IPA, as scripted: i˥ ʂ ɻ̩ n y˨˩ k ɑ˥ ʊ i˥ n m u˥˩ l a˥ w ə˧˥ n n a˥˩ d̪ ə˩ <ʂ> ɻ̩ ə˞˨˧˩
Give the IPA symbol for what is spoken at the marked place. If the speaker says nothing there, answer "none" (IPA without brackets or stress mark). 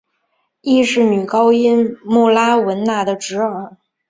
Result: ʈ͡ʂ